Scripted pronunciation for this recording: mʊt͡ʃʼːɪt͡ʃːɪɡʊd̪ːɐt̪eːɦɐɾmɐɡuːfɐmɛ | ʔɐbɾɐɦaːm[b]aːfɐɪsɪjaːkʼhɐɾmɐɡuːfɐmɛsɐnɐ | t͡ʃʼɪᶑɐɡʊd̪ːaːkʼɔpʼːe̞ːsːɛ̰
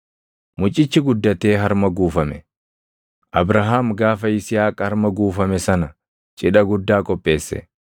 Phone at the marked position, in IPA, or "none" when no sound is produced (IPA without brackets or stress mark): ɡ